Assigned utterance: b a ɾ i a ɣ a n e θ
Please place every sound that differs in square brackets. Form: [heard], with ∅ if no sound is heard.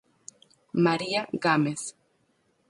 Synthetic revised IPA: [m] a ɾ i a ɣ a [m] e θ